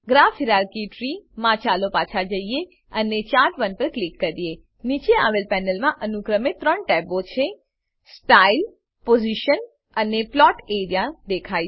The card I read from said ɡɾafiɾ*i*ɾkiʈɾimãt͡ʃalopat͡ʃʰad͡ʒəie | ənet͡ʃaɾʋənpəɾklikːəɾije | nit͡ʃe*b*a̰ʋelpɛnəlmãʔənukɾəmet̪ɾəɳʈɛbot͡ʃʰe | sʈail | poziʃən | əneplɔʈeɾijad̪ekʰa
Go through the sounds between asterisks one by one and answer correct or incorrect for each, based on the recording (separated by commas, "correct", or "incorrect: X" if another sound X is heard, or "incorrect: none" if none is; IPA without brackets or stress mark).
incorrect: a, incorrect: none